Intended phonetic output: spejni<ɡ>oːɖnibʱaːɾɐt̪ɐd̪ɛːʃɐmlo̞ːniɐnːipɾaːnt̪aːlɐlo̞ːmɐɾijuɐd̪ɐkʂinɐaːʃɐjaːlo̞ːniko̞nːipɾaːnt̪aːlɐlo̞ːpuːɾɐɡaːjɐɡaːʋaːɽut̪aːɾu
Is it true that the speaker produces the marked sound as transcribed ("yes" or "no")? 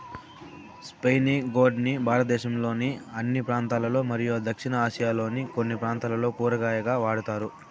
yes